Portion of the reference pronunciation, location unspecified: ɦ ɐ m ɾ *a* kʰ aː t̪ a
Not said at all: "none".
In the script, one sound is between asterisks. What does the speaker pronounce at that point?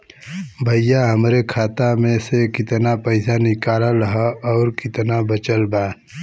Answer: e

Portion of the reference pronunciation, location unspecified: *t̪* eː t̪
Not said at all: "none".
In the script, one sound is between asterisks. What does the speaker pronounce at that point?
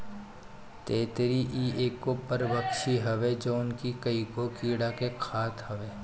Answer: t̪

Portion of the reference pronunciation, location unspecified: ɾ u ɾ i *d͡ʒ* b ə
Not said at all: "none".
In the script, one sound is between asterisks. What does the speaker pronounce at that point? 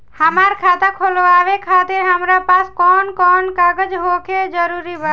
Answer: none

